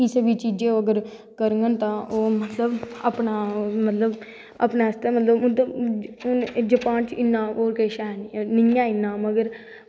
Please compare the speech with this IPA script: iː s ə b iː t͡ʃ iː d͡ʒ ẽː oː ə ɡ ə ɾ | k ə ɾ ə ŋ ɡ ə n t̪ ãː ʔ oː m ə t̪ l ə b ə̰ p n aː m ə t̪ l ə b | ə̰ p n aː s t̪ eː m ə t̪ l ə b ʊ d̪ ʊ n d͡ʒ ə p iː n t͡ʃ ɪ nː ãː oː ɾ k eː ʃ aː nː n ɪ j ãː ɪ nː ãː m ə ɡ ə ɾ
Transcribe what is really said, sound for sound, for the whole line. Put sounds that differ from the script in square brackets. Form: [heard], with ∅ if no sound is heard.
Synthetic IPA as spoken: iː s ə b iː t͡ʃ iː d͡ʒ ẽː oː ə ɡ ə ɾ | k ə ɾ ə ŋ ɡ ə n t̪ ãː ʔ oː m ə t̪ l ə b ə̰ p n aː m ə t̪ l ə b | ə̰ p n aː s t̪ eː m ə t̪ l ə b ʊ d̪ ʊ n d͡ʒ ə p [aː] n t͡ʃ ɪ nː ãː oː ɾ k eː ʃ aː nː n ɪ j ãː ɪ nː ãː m ə ɡ ə ɾ